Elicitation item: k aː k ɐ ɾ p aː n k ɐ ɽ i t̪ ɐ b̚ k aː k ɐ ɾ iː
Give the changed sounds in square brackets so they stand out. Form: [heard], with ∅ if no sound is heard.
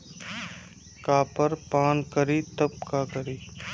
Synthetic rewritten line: k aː [p] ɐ ɾ p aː n k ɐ [ɾ] i t̪ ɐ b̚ k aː k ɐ ɾ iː